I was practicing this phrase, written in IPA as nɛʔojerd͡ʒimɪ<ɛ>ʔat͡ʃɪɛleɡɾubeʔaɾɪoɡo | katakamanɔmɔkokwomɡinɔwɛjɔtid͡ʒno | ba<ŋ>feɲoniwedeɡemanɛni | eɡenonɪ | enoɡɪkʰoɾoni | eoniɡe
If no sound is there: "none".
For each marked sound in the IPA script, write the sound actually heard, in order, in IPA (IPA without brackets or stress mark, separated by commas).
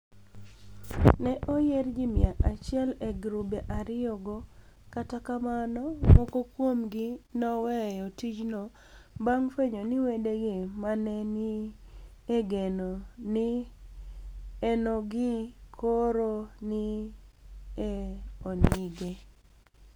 a, ŋ